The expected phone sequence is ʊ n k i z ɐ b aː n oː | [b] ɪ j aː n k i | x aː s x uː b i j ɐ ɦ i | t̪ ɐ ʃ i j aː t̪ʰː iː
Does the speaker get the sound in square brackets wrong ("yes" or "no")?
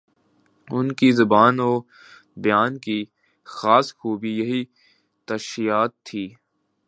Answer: no